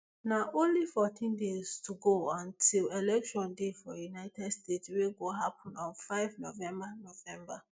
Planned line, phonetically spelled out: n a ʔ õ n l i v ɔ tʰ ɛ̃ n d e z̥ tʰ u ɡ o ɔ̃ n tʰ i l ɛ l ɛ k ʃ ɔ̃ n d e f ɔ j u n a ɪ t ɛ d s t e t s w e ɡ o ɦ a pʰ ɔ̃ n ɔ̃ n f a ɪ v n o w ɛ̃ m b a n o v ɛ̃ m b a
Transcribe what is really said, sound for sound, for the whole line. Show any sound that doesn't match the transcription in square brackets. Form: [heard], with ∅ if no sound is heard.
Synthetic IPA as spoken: n a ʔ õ n l i [f] ɔ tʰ [ĩ] n d e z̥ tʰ u ɡ o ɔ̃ n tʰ i l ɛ l ɛ k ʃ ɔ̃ n d e f ɔ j u n a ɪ t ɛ d s t e t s w e ɡ o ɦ a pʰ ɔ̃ n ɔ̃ n f a ɪ v n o [v] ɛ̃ m b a n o v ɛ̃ m b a